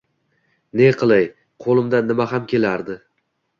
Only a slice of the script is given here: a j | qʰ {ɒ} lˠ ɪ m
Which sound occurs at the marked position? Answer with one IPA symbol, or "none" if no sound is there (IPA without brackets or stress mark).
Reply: o